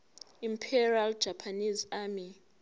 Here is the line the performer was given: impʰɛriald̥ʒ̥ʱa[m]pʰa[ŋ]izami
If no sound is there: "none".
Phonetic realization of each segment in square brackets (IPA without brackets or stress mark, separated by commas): none, n